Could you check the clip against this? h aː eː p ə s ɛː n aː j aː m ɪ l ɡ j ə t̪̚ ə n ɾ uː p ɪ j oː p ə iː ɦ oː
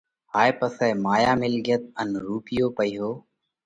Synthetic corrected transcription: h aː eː p ə s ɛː m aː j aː m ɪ l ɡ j ə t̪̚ ə n ɾ uː p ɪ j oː p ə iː ɦ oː